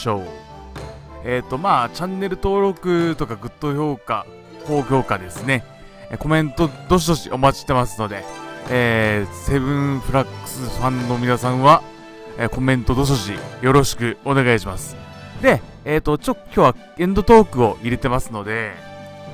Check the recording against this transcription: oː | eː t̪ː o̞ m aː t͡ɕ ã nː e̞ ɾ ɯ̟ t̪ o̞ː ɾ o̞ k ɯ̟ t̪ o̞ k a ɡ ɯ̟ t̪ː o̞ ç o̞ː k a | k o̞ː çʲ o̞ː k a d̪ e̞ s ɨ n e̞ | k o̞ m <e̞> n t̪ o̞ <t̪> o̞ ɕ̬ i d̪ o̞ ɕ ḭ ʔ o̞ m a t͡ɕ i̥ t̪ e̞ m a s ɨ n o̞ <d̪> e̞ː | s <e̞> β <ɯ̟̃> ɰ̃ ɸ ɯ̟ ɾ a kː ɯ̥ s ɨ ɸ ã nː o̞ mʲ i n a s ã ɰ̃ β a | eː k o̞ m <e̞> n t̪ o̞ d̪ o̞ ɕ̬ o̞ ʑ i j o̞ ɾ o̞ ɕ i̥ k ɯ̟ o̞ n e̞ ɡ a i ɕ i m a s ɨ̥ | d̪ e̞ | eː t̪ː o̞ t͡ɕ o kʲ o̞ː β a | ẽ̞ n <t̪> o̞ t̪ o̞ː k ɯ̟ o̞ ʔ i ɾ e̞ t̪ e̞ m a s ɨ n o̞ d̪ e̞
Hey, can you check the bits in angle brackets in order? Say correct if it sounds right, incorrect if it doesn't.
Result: incorrect, incorrect, correct, correct, correct, incorrect, incorrect

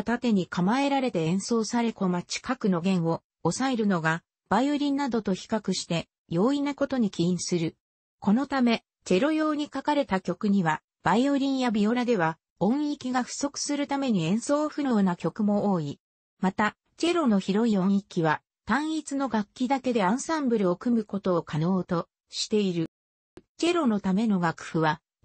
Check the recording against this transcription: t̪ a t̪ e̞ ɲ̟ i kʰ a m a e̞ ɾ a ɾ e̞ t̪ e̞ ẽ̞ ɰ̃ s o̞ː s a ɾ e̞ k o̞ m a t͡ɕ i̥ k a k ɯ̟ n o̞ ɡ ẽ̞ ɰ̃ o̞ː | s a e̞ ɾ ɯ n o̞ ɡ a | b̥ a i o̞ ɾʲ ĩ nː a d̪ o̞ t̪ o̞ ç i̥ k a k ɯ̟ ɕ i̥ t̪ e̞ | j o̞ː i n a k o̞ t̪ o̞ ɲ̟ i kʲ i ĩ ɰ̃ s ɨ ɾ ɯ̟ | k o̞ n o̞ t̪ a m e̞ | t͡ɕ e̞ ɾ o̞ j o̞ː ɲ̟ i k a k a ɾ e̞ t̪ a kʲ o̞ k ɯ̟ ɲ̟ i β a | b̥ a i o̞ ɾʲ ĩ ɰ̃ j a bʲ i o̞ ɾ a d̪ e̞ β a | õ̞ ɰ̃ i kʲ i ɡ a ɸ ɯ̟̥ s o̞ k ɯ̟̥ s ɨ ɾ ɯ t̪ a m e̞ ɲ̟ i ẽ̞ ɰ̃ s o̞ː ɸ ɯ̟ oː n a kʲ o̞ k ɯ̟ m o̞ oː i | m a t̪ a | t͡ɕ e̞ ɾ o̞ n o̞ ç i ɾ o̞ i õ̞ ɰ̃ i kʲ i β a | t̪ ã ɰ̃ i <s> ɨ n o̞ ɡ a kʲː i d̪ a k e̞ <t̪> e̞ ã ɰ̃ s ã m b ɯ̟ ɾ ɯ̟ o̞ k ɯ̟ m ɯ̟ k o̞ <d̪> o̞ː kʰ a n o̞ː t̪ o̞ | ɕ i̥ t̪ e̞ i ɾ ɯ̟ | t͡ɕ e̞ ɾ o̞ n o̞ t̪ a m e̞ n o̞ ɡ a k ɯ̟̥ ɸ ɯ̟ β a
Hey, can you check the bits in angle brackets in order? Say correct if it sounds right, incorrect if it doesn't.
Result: incorrect, incorrect, incorrect

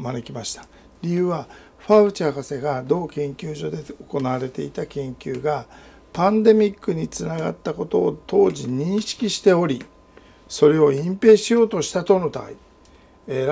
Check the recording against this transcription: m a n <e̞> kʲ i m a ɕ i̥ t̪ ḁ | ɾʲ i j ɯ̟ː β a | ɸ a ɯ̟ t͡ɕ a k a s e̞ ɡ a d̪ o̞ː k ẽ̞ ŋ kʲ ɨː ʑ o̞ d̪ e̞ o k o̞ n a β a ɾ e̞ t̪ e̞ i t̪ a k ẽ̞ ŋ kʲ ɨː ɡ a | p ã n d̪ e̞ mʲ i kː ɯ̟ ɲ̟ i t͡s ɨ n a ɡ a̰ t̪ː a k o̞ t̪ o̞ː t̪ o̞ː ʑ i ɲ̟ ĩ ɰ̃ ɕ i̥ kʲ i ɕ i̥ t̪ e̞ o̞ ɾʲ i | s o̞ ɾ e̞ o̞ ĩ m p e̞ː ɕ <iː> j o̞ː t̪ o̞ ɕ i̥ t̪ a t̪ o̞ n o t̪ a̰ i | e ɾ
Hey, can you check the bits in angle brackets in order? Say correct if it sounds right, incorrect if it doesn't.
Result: correct, incorrect

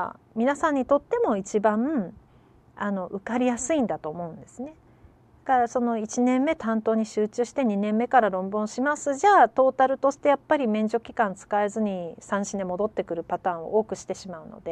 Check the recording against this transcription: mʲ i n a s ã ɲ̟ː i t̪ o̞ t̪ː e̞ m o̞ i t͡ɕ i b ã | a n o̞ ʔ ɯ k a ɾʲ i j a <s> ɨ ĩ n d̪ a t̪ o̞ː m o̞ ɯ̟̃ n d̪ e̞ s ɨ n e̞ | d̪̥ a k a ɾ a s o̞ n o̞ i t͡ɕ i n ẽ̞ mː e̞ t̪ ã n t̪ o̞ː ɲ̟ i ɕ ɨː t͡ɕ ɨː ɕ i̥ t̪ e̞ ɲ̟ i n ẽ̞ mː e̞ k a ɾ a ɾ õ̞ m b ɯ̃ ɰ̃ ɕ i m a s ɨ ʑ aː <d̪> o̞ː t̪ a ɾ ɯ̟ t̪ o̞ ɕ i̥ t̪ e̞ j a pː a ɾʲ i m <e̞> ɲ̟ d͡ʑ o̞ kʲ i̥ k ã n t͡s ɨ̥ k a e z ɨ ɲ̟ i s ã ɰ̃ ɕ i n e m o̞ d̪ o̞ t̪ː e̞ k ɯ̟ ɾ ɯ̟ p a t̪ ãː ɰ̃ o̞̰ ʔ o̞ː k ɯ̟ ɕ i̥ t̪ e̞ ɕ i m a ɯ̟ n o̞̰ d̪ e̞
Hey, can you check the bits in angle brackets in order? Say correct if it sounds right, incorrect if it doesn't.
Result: correct, incorrect, incorrect

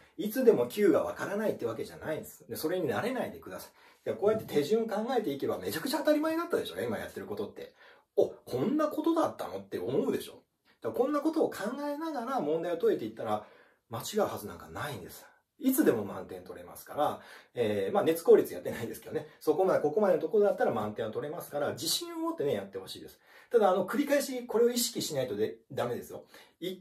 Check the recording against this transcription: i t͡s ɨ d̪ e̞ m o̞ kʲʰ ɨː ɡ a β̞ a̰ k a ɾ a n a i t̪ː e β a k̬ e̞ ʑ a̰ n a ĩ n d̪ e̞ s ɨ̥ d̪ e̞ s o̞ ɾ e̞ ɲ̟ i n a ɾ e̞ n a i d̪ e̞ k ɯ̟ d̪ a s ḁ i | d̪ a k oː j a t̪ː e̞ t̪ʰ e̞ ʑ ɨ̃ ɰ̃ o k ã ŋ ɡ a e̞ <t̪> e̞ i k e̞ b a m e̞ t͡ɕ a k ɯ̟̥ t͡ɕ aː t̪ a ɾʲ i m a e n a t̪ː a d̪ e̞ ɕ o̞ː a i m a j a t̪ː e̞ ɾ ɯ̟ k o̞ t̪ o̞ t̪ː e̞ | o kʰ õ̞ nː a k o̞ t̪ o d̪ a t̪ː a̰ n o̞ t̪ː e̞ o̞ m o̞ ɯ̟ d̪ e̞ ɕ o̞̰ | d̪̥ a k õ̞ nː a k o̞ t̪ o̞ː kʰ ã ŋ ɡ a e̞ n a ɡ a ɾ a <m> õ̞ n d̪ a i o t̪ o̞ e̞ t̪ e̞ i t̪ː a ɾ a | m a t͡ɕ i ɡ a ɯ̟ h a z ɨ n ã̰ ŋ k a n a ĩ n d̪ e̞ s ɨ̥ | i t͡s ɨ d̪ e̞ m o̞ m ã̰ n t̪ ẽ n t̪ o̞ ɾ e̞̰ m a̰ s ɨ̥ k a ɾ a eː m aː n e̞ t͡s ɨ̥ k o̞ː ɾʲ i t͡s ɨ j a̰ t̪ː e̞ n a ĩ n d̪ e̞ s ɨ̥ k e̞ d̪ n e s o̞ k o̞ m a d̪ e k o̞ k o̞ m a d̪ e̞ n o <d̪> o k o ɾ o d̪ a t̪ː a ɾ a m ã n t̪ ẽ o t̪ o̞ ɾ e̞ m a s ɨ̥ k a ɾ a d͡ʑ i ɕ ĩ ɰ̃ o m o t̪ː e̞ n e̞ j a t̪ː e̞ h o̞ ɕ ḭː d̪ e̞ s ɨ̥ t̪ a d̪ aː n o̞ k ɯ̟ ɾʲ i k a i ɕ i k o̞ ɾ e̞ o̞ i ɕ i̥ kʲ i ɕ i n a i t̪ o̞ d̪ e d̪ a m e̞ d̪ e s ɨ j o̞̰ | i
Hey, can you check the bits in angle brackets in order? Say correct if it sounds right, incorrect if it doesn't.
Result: correct, correct, incorrect

